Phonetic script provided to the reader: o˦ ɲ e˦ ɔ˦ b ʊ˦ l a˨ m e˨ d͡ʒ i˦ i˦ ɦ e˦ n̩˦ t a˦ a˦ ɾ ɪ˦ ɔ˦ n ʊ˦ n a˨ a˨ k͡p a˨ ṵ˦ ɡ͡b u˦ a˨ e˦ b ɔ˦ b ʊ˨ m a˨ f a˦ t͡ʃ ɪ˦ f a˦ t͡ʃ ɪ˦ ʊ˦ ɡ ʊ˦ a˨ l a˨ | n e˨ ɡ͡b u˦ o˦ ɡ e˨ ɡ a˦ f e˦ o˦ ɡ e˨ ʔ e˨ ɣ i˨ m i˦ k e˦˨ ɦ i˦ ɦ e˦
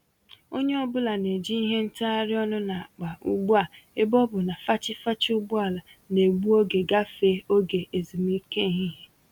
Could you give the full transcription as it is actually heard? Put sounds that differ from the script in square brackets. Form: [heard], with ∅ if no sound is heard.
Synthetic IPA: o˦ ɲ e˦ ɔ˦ b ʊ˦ l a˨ [n] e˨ d͡ʒ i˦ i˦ ɦ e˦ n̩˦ t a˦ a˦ ɾ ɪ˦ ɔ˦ n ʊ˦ n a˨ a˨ k͡p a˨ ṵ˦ ɡ͡b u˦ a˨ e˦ b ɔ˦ b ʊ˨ [n] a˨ f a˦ t͡ʃ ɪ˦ f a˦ t͡ʃ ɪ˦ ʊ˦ [ɡ͡b] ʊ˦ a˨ l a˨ | n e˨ ɡ͡b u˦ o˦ ɡ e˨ ɡ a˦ f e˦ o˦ ɡ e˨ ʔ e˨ [z] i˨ m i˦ k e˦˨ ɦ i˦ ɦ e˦